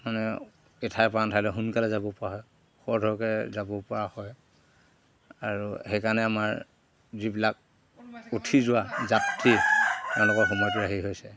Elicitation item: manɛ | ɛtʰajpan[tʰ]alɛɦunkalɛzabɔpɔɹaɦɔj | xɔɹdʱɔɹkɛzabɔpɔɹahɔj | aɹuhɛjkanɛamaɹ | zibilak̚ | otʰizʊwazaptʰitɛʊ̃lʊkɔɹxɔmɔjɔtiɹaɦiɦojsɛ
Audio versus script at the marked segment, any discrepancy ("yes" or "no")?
no